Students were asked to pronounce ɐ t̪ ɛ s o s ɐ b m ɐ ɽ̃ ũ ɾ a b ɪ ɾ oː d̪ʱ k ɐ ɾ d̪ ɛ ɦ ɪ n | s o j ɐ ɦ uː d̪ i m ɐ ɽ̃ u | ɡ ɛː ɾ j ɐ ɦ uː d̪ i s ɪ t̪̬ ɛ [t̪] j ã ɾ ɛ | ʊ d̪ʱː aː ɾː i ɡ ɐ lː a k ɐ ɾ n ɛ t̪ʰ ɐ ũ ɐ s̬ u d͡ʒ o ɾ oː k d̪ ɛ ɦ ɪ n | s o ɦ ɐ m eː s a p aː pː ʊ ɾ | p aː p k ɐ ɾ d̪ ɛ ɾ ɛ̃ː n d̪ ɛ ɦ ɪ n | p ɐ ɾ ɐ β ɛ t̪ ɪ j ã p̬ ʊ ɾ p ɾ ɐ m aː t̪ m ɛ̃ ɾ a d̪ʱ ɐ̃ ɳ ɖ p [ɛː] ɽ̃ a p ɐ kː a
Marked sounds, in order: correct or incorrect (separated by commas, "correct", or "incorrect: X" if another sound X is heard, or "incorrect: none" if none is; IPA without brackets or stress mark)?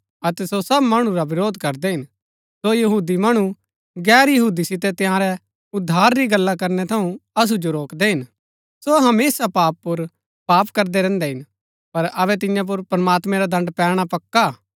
correct, correct